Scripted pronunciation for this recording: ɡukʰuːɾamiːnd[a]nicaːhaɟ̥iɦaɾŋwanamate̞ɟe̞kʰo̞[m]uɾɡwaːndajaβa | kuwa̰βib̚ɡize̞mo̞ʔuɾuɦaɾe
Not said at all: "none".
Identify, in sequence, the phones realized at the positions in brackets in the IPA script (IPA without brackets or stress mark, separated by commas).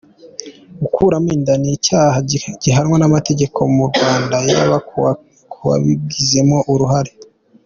a, m